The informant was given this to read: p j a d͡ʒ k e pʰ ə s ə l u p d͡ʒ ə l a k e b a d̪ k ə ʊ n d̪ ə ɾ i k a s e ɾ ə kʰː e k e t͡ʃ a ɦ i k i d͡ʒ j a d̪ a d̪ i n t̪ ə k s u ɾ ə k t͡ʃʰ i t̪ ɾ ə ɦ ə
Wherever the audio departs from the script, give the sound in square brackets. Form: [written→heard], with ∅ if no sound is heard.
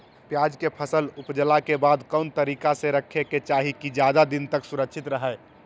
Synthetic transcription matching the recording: p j a d͡ʒ k e pʰ ə s ə l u p d͡ʒ ə l a k e b a d̪ k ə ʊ n [d̪→t̪] ə ɾ i k a s e ɾ ə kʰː e k e t͡ʃ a ɦ i k i d͡ʒ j a d̪ a d̪ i n t̪ ə k s u ɾ ə k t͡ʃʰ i t̪ ɾ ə ɦ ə